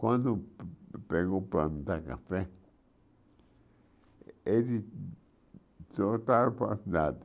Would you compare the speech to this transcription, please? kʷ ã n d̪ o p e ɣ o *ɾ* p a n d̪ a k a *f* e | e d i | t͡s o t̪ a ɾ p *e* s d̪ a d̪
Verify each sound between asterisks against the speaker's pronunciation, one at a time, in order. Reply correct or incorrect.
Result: incorrect: none, correct, incorrect: a

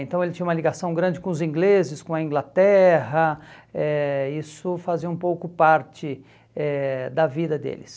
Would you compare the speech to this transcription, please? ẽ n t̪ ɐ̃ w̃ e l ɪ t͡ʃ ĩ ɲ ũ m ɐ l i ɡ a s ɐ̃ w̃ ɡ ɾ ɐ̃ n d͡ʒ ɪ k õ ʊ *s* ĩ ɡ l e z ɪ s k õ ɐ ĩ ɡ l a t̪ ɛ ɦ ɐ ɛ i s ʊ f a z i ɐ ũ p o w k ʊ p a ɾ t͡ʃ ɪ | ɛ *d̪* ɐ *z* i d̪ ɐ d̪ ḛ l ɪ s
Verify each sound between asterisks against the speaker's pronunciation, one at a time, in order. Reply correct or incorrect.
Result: incorrect: z, correct, incorrect: v

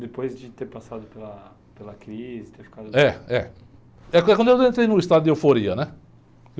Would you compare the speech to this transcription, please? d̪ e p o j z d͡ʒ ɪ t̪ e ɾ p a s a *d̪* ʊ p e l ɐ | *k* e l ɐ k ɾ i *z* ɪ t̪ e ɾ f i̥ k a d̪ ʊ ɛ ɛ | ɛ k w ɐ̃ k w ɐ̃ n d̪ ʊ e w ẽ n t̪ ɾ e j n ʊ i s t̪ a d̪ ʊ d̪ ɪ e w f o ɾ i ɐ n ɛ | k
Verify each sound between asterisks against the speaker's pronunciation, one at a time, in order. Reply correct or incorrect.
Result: correct, incorrect: p, correct

